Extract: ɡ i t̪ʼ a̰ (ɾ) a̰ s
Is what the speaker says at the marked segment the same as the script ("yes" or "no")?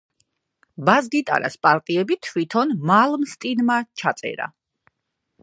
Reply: yes